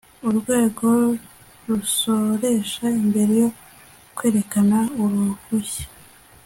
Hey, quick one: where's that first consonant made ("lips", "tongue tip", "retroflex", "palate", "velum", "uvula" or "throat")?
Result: tongue tip